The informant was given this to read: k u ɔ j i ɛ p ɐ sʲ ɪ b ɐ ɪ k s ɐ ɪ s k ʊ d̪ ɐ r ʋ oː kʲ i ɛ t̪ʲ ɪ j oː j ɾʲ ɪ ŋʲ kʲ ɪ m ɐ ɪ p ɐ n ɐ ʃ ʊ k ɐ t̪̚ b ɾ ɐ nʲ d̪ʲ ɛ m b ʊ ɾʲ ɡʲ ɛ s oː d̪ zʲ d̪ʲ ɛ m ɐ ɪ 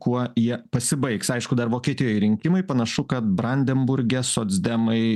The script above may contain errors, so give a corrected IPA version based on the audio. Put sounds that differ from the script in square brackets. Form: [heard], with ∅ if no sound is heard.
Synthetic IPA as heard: k u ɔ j i ɛ p ɐ sʲ ɪ b ɐ ɪ k s ɐ ɪ [ʃ] k ʊ d̪ ɐ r ʋ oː kʲ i ɛ t̪ʲ ɪ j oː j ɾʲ ɪ ŋʲ kʲ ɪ m ɐ ɪ p ɐ n ɐ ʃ ʊ k ɐ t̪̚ b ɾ ɐ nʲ d̪ʲ ɛ m b ʊ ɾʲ ɡʲ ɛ s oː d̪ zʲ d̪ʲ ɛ m ɐ ɪ